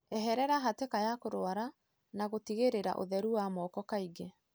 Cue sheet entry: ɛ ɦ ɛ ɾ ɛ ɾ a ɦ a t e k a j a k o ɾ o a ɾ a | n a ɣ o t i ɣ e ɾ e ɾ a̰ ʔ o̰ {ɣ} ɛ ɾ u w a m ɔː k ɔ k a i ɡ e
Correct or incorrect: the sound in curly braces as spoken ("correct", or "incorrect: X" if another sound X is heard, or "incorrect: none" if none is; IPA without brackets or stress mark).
incorrect: ð